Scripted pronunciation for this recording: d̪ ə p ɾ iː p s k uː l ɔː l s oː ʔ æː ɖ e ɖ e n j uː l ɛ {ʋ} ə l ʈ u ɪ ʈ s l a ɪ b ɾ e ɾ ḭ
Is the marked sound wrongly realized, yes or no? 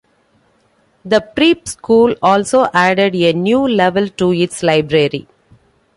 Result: no